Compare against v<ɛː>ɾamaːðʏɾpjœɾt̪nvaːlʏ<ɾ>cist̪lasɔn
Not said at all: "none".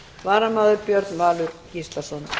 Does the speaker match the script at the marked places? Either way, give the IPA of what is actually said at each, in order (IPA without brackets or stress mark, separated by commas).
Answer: aː, ɾ